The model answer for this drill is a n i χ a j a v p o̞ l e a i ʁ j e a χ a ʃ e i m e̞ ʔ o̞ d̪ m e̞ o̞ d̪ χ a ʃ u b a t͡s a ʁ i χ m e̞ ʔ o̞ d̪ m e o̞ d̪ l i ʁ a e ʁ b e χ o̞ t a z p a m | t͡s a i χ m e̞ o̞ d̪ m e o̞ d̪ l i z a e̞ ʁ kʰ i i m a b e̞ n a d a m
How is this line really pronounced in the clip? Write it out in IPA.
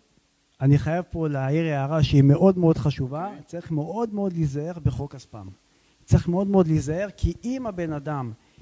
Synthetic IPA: a n i χ a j a v p o̞ l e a i ʁ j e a ʁ a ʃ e i m e̞ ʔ o̞ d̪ m e̞ o̞ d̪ χ a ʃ u v a t͡s a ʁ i χ m e̞ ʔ o̞ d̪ m e o̞ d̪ l i z a e ʁ b e χ o̞ k a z p a m | t͡s a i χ m e̞ o̞ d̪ m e o̞ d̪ l i z a e̞ ʁ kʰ i i m a b e̞ n a d a m